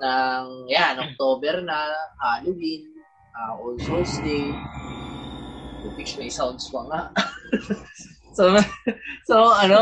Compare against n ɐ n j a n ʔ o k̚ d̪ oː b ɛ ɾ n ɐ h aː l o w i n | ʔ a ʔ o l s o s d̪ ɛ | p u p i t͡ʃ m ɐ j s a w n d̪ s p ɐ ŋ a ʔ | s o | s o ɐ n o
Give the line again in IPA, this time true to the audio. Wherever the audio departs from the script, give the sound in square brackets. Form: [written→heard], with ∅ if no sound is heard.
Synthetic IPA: n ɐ [n→ŋ] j a n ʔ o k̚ [d̪→t̪] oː b ɛ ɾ n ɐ h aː l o w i n | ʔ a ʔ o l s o s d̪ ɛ | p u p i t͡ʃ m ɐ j s a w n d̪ s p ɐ ŋ a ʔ | s o | s o ɐ n o